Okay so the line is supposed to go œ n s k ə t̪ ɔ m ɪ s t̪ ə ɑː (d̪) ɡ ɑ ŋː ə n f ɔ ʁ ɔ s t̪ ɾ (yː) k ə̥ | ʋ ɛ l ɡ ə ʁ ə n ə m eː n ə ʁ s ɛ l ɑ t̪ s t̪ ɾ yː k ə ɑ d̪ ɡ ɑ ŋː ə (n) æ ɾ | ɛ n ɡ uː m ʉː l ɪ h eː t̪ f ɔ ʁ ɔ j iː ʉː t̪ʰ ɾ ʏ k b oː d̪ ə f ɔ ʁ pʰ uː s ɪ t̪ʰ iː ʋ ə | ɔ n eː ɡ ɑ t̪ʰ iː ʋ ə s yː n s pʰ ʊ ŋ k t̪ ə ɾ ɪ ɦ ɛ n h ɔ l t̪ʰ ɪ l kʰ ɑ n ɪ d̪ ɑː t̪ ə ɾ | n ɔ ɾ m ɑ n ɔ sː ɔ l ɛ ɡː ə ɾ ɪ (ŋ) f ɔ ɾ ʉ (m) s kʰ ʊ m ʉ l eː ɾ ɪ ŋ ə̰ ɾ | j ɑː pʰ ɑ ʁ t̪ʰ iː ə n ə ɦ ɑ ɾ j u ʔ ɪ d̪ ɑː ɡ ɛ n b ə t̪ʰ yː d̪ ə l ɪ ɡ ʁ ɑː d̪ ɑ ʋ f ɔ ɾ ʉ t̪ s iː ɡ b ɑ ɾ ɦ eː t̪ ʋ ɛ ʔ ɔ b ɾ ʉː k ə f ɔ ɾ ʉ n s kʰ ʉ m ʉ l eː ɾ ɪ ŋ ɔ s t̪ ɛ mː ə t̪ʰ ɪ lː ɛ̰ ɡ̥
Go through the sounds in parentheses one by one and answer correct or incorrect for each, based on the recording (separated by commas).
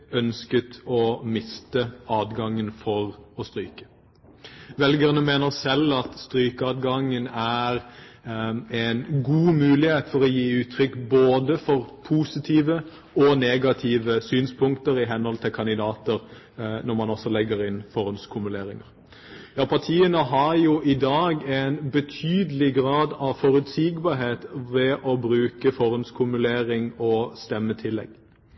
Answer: correct, correct, correct, incorrect, incorrect